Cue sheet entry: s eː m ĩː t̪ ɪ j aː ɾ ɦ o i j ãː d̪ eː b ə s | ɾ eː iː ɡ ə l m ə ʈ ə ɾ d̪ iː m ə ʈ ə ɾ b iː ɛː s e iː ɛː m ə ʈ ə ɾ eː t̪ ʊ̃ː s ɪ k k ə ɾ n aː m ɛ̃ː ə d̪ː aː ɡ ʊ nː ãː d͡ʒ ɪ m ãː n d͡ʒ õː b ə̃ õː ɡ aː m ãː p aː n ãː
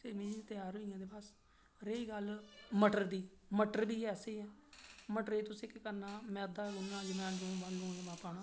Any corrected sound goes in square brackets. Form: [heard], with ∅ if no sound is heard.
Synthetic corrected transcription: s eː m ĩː t̪ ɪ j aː ɾ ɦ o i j ãː d̪ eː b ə s | ɾ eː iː ɡ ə l m ə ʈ ə ɾ d̪ iː m ə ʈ ə ɾ b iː ɛː s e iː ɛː m ə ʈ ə ɾ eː t̪ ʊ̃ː s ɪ k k ə ɾ n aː m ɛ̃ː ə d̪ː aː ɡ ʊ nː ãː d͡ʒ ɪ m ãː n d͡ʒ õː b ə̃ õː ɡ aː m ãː p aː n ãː